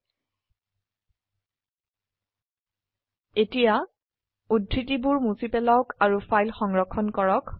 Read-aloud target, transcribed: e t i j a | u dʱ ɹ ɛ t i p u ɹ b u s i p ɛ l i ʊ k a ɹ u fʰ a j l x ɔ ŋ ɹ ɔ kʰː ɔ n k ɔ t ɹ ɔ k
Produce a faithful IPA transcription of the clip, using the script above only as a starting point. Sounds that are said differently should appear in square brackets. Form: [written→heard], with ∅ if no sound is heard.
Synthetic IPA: e t i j a | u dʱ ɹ [ɛ→i] t i [p→b] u ɹ [b→m] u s i p ɛ l [i→a] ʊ k a ɹ u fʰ a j l x ɔ ŋ ɹ ɔ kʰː ɔ n k ɔ [t→∅] ɹ ɔ k